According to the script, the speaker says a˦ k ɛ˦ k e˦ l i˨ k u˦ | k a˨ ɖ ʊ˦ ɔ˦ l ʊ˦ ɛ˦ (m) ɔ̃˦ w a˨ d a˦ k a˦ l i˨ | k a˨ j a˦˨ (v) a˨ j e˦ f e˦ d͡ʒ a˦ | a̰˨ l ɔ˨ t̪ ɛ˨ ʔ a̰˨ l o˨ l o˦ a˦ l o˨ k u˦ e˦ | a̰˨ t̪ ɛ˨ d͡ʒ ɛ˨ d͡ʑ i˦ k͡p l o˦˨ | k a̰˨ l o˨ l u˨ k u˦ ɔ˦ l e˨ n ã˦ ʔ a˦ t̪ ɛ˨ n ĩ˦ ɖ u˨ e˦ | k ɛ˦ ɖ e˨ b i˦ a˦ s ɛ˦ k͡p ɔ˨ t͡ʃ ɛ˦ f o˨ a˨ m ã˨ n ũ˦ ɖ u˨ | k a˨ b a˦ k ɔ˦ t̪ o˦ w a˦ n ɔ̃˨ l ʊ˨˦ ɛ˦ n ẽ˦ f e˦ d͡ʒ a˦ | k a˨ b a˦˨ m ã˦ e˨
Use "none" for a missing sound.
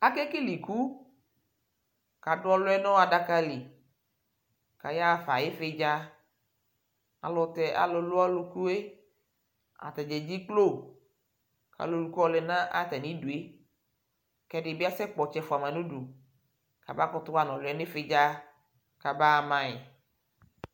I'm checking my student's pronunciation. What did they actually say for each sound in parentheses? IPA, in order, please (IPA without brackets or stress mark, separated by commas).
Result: n, f